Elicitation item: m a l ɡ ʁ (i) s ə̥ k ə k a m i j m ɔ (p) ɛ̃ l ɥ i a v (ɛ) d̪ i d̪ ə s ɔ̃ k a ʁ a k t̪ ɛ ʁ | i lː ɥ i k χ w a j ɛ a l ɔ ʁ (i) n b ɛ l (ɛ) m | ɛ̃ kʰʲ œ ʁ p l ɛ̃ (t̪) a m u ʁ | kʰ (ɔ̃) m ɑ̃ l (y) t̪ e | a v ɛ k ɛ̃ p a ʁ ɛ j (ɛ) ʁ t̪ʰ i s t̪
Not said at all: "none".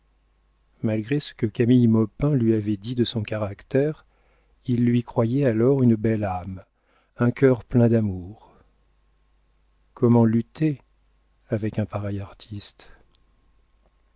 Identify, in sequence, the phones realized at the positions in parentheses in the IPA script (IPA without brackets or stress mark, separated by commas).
e, p, ɛ, y, a, d̪, ɔ, y, a